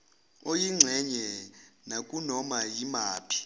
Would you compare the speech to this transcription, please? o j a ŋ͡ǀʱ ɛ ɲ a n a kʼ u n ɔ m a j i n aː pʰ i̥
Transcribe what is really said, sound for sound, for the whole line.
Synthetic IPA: o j i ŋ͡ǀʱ ɛ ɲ ɛ n a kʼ u n ɔ m a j i m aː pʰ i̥